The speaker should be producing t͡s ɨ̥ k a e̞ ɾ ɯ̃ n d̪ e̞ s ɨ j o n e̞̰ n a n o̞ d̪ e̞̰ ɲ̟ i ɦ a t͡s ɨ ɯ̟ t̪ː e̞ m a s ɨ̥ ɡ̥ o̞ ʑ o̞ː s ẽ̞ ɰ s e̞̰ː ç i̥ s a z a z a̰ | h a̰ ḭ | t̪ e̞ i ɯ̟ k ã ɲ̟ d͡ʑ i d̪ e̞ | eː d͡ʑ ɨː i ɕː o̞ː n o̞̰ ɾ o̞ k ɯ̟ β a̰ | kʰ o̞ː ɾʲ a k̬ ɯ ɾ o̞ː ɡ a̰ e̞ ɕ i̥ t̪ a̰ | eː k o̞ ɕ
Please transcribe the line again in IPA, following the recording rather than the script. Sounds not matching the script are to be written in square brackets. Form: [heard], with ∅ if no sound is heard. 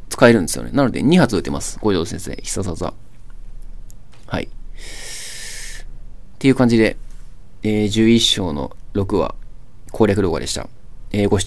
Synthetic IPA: t͡s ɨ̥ k a e̞ ɾ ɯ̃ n d̪ e̞ s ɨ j o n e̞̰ n a n o̞ d̪ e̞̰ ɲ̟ i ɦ a t͡s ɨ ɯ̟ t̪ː e̞ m a s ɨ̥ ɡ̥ o̞ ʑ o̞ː s ẽ̞ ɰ s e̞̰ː ç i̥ s a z a z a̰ | h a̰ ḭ | t̪ e̞ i ɯ̟ k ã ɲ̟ d͡ʑ i d̪ e̞ | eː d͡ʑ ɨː i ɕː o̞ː n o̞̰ ɾ o̞ k ɯ̟ β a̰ | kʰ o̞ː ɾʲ a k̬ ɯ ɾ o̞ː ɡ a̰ e̞ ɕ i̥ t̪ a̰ | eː [ɡ] o̞ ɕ